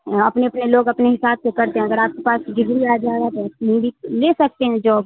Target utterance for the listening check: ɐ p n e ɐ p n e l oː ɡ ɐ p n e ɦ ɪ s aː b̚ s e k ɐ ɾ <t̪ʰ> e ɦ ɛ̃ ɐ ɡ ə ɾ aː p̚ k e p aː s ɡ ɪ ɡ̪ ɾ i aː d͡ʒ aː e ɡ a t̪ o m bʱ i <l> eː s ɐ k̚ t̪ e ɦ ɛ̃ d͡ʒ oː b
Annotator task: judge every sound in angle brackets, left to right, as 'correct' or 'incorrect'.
incorrect, correct

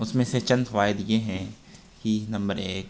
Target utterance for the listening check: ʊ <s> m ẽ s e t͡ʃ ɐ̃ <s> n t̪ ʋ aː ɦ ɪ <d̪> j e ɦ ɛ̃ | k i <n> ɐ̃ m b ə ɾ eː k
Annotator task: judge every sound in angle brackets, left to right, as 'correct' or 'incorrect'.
correct, incorrect, correct, correct

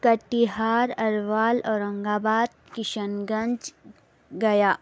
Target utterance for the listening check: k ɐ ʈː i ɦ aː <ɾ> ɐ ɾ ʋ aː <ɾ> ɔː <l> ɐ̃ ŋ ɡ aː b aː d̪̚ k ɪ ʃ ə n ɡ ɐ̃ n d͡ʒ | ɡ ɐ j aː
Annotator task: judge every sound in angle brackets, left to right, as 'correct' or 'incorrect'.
correct, incorrect, incorrect

